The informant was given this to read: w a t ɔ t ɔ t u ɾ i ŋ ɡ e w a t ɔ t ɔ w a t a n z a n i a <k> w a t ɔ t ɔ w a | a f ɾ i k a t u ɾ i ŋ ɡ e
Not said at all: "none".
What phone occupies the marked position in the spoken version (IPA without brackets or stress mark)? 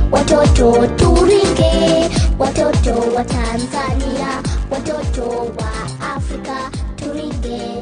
none